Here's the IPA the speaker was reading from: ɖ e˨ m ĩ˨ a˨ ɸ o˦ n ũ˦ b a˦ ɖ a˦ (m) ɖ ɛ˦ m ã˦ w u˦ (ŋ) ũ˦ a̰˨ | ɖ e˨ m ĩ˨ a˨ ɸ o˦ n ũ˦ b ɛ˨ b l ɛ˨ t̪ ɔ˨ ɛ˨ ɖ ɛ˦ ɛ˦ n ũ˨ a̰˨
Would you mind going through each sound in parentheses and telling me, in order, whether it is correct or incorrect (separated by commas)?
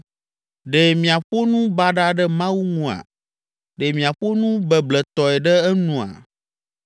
incorrect, correct